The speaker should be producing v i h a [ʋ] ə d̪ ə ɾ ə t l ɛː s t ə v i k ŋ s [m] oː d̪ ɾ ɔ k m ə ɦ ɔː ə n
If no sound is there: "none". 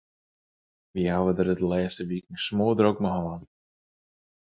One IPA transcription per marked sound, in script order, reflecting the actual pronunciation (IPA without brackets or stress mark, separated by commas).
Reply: w, m